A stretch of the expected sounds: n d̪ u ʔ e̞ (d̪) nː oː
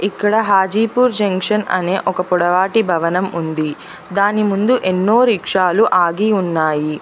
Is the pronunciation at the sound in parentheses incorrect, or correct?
incorrect